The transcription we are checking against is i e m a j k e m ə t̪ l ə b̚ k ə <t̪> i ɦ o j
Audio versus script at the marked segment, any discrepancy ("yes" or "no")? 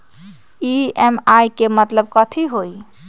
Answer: yes